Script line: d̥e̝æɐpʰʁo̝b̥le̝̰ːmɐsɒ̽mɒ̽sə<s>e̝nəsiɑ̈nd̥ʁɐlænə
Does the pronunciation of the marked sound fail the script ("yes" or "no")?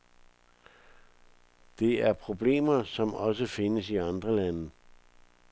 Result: yes